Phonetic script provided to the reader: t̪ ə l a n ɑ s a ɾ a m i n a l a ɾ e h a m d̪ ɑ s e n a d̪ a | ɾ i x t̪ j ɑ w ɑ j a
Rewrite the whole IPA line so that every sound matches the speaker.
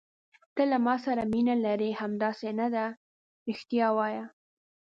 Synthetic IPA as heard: t̪ ə l a m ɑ s a ɾ a m i n a l a ɾ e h a m d̪ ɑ s e n a d̪ a | ɾ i x t̪ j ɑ w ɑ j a